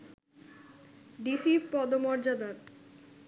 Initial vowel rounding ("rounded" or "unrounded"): unrounded